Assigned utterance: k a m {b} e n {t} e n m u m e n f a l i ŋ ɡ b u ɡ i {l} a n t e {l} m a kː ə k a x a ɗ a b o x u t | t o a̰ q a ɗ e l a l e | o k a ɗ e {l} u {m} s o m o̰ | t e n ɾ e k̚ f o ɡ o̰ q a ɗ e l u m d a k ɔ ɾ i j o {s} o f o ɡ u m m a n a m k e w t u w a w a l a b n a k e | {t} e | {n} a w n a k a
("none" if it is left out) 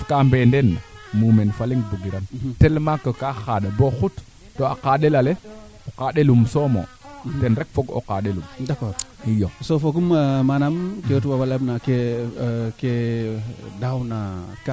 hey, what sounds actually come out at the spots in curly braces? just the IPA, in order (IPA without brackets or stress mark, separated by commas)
b, d, ɾ, l, l, m, s, k, d